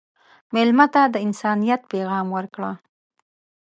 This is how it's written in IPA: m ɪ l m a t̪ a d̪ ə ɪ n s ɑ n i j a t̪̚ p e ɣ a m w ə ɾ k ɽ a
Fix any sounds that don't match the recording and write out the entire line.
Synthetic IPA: m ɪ l m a t̪ a d̪ ə ɪ n s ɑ n i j a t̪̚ p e ɣ ɑ m w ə ɾ k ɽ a